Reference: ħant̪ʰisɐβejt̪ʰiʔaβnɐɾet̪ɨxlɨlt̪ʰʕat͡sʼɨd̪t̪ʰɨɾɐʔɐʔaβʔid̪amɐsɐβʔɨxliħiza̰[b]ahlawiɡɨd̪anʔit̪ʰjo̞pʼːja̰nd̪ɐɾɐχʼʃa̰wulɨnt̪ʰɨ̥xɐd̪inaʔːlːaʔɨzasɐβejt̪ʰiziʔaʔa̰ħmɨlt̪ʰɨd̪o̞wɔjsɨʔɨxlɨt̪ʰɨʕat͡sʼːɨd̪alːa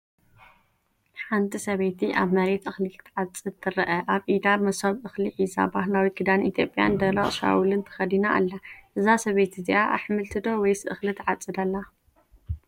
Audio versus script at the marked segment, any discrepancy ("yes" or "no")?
no